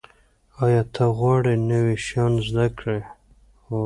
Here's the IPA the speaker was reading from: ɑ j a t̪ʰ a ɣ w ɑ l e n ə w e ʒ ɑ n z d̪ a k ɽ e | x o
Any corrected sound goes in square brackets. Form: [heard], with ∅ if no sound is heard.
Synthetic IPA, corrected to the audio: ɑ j [ɑ] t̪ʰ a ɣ w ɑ [ɽ] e n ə w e [ʃ] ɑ n z d̪ a k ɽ e | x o